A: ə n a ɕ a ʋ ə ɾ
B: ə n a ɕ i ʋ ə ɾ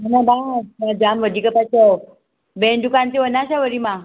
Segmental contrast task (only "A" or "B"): A